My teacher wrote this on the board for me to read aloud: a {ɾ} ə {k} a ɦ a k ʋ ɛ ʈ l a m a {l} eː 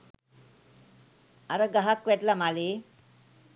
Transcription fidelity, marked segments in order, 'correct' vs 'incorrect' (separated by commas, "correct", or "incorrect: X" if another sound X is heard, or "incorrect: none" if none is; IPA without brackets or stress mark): correct, incorrect: ɡ, correct